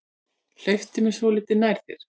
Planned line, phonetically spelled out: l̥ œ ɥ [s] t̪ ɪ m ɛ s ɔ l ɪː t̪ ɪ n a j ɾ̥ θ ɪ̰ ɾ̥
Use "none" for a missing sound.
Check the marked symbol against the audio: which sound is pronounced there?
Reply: f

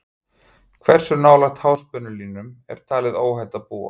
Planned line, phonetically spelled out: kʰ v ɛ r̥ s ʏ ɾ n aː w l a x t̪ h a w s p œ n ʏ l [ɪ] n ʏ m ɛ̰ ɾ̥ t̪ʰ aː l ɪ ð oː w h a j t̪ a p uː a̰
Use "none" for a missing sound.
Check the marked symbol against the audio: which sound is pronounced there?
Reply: i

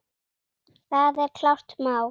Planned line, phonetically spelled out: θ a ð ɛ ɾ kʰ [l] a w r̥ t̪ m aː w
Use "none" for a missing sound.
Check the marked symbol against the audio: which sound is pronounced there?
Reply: l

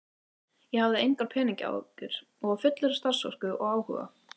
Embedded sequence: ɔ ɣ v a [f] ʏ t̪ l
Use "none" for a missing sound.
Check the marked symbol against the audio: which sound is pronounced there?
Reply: f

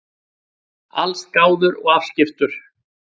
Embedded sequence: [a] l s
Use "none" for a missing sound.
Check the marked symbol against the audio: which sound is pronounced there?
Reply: a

